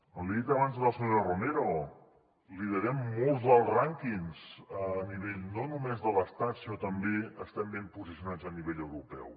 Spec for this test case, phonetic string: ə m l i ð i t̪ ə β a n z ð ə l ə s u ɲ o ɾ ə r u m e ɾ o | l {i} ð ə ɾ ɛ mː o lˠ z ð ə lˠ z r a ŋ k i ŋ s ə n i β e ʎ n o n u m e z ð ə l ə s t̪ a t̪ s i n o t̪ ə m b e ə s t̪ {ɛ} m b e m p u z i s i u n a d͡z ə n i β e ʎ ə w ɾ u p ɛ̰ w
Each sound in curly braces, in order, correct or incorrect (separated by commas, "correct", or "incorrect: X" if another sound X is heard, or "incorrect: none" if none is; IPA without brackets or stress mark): correct, correct